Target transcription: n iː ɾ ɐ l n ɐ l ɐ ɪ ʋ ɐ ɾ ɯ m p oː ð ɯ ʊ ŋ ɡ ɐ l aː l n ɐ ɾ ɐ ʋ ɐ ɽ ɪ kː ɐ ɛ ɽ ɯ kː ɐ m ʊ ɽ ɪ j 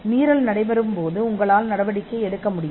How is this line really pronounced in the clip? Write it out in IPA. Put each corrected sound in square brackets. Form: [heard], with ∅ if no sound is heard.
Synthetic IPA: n iː ɾ ɐ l n ɐ [ɽ] ɐ ɪ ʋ ɐ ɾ ɯ m p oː ð ɯ ʊ ŋ ɡ ɐ [ɭ] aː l n ɐ [ɽ] ɐ ʋ ɐ ɽ ɪ kː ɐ ɛ ɽ ɯ kː ɐ m ʊ ɽ ɪ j